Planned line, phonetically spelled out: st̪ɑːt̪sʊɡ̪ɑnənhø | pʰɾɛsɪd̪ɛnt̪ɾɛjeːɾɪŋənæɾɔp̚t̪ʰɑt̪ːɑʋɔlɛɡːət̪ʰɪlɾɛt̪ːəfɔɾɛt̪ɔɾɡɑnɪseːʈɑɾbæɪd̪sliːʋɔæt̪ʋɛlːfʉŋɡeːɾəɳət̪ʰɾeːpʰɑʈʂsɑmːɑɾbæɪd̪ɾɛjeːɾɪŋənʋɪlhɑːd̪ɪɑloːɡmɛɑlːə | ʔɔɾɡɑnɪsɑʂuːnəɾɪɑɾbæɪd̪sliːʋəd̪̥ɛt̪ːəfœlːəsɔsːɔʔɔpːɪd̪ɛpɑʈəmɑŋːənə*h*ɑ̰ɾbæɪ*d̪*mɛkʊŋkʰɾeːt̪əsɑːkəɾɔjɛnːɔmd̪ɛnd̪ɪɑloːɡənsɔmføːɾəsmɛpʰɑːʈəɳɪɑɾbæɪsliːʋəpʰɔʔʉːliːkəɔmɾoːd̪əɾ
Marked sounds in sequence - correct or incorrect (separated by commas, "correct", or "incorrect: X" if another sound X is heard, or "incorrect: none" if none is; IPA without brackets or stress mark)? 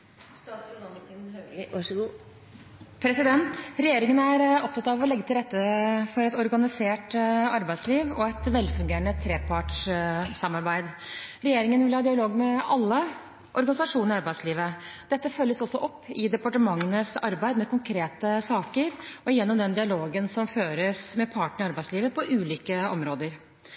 incorrect: s, correct